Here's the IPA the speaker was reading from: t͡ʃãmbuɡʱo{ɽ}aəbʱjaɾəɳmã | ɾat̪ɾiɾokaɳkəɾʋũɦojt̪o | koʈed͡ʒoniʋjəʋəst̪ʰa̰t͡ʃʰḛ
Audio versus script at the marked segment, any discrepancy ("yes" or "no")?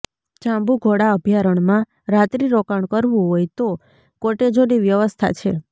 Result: no